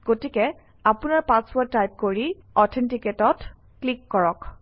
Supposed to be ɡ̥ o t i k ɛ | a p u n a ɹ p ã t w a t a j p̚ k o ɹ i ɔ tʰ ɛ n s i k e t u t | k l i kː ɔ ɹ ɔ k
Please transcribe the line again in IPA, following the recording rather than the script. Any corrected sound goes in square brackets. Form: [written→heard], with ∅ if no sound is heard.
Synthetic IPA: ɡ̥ o t i k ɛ | a p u n a ɹ p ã [t→s] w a t a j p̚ k o ɹ i ɔ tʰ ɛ n [s→t] i k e t [u→ɔ] t | k l i kː ɔ ɹ ɔ k